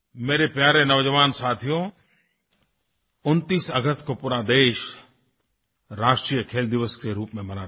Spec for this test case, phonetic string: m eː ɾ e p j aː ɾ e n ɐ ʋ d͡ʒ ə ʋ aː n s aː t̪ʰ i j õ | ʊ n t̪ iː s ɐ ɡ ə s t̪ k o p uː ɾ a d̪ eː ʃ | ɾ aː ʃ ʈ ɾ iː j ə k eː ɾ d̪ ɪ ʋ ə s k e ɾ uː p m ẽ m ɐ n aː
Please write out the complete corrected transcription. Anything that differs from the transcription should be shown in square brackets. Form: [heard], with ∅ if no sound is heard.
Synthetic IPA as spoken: m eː ɾ e p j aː ɾ e n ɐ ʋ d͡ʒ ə ʋ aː n s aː t̪ʰ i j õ | ʊ n t̪ iː s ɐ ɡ ə s t̪ k o p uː ɾ a d̪ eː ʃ | ɾ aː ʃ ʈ ɾ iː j ə [kʰ] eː [l] d̪ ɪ ʋ ə s k e ɾ uː p m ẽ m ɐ n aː